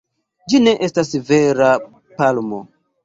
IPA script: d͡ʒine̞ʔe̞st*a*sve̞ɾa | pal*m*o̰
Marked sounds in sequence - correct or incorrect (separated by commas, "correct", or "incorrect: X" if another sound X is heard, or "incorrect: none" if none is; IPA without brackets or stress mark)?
correct, correct